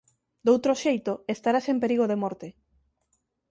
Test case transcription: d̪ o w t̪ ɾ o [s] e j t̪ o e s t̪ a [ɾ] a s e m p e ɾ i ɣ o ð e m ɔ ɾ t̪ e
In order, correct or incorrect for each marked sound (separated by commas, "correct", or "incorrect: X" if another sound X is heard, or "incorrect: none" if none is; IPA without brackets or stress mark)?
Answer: incorrect: ʃ, correct